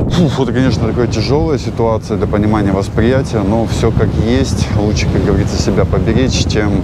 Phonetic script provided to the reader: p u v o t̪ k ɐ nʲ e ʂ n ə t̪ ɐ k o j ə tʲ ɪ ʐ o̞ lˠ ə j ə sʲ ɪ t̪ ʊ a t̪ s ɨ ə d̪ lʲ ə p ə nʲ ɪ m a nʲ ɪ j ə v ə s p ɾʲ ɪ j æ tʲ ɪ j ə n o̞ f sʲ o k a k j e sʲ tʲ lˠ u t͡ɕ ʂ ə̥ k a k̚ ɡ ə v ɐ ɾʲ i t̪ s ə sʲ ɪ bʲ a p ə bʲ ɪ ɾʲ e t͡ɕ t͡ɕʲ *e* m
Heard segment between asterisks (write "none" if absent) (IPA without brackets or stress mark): e